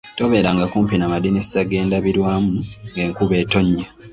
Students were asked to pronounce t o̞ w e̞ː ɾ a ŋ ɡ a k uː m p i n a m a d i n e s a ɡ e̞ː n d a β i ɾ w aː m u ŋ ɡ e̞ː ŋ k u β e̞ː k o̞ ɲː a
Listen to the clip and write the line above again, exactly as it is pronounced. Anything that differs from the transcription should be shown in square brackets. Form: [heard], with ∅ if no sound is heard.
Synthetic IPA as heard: t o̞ [β] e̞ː ɾ a ŋ ɡ a k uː m p i n a m a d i n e s a ɡ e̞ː n d a β i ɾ w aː m u ŋ ɡ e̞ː ŋ k u β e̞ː [t] o̞ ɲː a